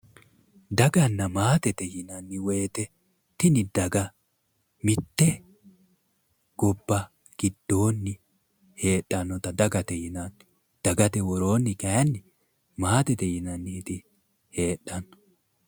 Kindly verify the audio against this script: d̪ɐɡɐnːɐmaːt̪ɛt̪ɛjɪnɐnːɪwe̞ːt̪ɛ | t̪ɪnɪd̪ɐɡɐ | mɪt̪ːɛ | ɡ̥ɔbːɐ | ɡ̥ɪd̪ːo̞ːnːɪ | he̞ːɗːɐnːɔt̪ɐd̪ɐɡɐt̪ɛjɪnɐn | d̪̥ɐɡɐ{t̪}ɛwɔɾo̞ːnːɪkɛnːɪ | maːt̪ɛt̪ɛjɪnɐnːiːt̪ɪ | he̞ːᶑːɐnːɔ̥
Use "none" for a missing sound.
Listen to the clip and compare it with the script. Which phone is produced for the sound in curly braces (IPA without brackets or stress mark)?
t̪